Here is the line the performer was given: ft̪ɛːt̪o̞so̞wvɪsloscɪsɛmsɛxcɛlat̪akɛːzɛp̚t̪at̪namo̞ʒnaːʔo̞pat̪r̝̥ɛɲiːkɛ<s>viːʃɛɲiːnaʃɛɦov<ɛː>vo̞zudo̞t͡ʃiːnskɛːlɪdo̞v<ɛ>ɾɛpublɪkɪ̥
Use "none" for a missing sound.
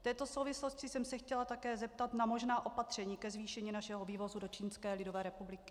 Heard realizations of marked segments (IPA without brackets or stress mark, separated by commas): z, iː, ɛː